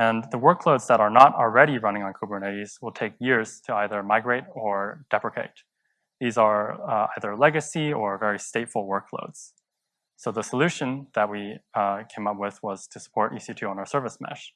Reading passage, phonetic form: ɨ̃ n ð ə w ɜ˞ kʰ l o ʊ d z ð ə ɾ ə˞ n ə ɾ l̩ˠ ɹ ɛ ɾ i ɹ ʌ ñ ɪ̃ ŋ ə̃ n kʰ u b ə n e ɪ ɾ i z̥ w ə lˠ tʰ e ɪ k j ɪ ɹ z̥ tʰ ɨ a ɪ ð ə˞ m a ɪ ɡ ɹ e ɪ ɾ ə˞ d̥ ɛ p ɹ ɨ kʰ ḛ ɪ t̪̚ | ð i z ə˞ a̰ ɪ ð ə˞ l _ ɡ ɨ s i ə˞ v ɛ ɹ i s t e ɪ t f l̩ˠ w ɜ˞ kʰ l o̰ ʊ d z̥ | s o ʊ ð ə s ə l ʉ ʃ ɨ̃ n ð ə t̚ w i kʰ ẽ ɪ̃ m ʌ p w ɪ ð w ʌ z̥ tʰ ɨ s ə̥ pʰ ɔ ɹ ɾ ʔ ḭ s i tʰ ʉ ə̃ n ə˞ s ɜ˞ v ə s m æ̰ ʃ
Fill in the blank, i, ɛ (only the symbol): ɛ